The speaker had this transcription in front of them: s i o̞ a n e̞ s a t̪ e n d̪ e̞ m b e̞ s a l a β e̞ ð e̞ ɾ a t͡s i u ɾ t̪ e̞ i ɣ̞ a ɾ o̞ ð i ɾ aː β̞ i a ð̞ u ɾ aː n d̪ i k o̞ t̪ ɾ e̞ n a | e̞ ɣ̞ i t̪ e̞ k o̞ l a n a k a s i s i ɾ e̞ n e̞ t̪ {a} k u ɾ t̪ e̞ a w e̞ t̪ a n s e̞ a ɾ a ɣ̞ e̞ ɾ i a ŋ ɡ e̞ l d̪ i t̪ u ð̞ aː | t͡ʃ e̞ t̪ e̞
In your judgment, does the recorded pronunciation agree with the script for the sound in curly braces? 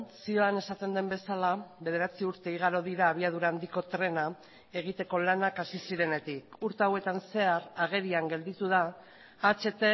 no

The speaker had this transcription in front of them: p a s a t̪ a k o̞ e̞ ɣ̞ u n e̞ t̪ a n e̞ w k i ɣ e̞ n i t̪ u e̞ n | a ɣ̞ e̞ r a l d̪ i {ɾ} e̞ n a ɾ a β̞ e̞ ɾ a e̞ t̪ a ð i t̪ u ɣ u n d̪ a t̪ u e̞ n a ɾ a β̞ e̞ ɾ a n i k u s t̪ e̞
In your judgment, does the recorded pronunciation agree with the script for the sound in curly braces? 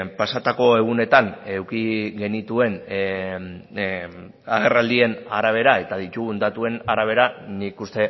no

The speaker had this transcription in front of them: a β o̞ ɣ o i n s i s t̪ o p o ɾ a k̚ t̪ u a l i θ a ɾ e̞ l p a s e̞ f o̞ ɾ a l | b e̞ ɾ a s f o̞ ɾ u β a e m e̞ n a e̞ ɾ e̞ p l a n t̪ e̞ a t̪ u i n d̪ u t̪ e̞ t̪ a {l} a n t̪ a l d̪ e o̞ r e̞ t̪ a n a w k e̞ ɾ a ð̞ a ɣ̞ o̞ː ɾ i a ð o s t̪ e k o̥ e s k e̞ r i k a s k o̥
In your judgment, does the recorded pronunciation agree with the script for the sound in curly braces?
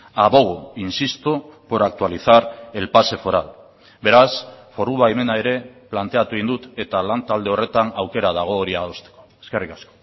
yes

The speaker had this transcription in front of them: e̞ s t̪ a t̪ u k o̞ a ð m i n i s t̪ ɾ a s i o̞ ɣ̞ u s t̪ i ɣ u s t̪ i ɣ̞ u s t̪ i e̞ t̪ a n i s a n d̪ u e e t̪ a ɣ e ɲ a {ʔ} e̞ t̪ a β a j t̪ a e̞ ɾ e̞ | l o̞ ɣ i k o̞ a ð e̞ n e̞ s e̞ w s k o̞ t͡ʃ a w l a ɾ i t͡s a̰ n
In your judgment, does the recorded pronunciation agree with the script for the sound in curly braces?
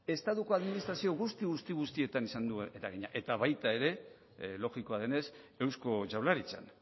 yes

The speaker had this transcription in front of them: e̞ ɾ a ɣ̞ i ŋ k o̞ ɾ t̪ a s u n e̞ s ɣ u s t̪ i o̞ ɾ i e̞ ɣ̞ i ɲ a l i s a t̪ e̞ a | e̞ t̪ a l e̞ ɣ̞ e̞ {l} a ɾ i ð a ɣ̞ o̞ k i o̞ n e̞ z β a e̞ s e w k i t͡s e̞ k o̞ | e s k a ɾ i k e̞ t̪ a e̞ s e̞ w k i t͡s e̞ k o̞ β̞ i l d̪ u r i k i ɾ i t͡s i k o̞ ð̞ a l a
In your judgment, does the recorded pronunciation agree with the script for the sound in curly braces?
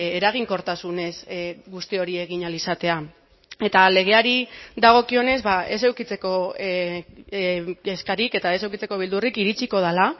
no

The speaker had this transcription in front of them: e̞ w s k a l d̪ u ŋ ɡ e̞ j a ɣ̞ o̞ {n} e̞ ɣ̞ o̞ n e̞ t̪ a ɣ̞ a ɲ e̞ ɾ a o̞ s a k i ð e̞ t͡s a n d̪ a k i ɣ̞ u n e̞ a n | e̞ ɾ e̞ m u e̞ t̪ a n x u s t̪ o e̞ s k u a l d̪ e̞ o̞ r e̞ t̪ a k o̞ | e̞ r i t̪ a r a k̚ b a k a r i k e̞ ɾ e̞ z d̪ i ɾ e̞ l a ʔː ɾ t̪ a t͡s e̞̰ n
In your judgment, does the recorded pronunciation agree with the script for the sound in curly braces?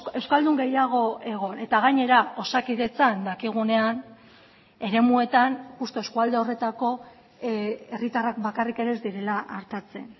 no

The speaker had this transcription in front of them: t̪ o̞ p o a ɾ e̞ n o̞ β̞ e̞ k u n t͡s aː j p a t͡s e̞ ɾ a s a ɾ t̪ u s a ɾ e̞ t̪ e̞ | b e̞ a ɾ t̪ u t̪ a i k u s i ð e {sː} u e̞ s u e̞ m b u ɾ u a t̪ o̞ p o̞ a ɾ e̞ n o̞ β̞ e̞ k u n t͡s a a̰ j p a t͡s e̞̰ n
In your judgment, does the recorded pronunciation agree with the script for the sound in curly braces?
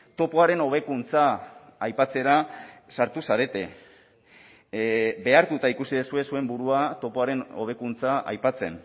no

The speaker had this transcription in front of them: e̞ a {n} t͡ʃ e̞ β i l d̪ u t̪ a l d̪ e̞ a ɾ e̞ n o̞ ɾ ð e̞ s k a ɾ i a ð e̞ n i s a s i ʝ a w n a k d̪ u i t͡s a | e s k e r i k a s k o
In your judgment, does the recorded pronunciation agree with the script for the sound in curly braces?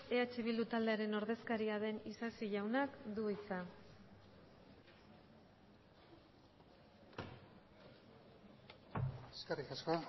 no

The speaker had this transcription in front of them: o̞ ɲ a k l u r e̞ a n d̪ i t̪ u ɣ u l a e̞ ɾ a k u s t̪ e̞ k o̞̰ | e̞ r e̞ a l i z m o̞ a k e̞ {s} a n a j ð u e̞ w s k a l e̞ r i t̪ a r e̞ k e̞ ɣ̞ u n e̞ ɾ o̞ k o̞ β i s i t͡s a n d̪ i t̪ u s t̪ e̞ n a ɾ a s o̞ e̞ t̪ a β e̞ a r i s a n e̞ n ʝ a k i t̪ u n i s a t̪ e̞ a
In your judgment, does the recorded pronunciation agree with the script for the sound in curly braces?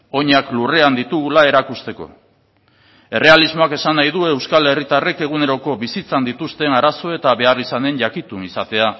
yes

